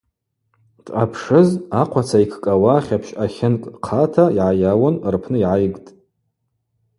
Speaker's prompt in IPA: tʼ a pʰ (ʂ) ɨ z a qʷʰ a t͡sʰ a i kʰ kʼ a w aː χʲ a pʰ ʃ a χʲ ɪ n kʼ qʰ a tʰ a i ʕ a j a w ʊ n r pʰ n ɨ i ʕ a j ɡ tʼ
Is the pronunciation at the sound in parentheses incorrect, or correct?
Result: correct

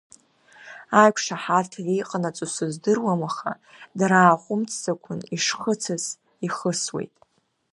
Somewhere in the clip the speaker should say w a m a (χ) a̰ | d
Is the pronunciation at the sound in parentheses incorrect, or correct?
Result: correct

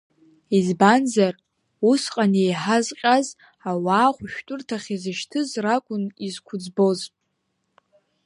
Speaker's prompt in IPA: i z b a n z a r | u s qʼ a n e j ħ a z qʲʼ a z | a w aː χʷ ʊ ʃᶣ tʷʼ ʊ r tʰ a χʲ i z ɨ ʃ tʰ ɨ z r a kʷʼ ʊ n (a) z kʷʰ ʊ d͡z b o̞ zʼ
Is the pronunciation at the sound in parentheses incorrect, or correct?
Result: incorrect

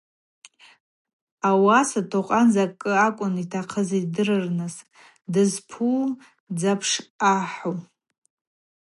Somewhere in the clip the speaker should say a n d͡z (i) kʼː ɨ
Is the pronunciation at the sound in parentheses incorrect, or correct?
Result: incorrect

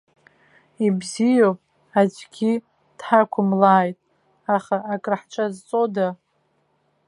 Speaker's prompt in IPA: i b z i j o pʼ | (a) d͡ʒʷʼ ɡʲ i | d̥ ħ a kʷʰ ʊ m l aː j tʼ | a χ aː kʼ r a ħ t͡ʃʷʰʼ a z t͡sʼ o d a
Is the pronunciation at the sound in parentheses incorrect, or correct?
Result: correct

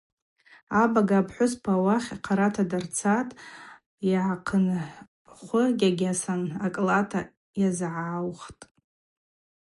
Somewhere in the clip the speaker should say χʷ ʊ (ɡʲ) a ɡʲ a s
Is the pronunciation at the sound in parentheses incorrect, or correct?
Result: correct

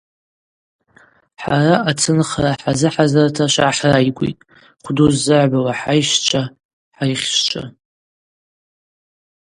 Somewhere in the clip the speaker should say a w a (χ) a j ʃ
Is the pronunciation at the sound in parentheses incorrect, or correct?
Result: incorrect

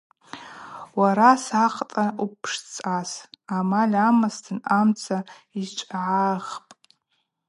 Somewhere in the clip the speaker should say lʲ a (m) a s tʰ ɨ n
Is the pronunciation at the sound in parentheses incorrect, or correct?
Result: correct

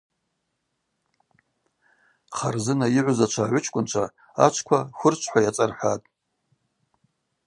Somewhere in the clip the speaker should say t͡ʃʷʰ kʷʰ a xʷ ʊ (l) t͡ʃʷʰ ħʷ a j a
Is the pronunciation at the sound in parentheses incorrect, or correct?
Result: incorrect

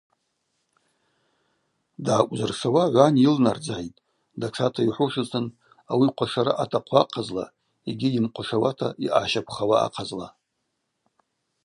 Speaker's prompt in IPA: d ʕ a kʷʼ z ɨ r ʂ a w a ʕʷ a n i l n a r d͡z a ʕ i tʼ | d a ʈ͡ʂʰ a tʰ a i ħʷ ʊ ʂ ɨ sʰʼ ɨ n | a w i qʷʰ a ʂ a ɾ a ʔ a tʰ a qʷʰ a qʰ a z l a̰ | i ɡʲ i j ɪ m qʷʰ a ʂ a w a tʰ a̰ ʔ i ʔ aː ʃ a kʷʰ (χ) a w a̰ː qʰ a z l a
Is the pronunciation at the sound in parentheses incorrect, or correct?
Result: correct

